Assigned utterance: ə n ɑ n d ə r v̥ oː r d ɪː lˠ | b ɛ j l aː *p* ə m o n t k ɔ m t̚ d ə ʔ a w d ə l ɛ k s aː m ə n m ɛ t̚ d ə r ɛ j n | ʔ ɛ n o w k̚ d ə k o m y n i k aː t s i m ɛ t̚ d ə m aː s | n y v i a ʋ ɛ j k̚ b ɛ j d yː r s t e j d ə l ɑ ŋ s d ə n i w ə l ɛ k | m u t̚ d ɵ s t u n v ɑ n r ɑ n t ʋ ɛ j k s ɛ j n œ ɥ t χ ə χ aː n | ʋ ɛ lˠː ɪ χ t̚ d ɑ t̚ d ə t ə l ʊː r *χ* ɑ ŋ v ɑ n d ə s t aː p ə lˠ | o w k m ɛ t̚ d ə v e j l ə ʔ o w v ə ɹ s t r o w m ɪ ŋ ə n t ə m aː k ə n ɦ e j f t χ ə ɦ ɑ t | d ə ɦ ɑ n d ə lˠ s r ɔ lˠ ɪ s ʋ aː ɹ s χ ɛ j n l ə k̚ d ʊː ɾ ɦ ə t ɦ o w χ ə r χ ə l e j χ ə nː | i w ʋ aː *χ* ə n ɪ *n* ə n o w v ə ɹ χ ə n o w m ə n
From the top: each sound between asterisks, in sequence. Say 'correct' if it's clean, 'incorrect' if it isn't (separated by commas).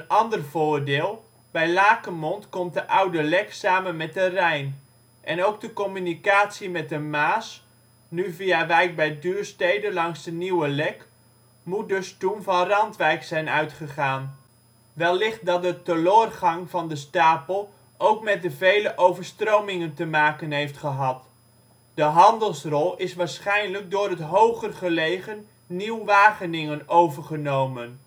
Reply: incorrect, correct, correct, incorrect